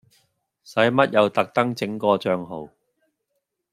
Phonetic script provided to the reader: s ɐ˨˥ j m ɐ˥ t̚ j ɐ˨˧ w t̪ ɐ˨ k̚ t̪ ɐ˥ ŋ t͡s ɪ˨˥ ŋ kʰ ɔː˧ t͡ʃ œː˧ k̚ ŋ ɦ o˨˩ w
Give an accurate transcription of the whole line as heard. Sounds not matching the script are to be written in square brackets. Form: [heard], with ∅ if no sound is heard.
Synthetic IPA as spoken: s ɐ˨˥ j m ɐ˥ t̚ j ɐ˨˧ w t̪ ɐ˨ k̚ t̪ ɐ˥ ŋ t͡s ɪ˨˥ ŋ [k] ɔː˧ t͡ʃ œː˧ [∅] ŋ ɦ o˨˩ w